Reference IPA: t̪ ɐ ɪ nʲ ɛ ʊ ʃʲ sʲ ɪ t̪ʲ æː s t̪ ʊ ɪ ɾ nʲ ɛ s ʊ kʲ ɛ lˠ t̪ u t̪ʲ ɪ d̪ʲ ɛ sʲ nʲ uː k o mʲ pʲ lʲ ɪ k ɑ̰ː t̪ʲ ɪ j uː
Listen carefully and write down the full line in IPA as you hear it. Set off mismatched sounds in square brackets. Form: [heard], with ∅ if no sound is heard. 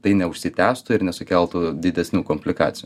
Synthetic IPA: t̪ ɐ ɪ nʲ ɛ ʊ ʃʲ sʲ ɪ t̪ʲ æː s t̪ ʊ ɪ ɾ nʲ ɛ s ʊ kʲ ɛ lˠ t̪ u [d̪ʲ] ɪ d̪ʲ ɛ sʲ nʲ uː k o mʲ pʲ lʲ ɪ k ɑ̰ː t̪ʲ ɪ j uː